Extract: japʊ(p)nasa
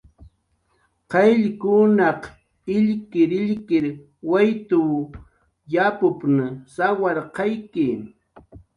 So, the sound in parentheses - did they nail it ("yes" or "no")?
yes